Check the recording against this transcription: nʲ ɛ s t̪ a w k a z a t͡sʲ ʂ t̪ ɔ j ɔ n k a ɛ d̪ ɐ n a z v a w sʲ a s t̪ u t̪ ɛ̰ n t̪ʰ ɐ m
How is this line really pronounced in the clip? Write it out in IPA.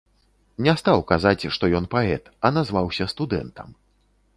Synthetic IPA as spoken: nʲ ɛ s t̪ a w k a z a t͡sʲ ʂ t̪ ɔ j ɔ n p a ɛ t̪ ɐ n a z v a w sʲ ɐ s t̪ u d̪ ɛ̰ n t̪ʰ ɐ m